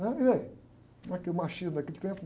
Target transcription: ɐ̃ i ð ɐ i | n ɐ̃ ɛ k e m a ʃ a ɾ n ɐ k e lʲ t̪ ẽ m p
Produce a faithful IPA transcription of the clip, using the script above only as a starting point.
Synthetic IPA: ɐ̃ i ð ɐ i | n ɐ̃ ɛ k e m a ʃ i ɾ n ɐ k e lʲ t̪ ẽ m p